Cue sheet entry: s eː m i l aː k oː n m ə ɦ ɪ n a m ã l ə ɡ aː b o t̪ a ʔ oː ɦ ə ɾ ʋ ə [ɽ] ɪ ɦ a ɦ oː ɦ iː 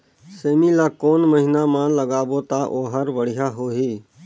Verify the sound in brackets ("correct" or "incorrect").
correct